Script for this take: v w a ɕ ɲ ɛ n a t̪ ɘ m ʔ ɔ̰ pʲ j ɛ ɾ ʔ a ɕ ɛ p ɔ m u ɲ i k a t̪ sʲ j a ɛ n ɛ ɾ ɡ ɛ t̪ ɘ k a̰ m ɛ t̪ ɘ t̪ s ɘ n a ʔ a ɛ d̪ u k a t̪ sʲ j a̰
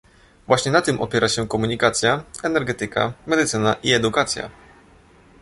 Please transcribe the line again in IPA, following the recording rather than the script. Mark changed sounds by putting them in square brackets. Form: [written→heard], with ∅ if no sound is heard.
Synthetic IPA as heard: v w a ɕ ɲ ɛ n a t̪ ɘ m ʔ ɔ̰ pʲ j ɛ ɾ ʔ a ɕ ɛ [p→k] ɔ m u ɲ i k a t̪ sʲ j a ɛ n ɛ ɾ ɡ ɛ t̪ ɘ k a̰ m ɛ [t̪→d̪] ɘ t̪ s ɘ n a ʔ [a→i] ɛ d̪ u k a t̪ sʲ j a̰